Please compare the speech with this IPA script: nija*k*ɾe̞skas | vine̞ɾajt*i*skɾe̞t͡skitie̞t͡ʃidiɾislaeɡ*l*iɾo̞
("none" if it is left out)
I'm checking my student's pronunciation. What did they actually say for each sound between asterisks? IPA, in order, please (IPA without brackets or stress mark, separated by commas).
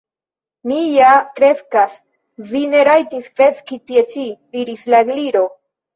k, i, l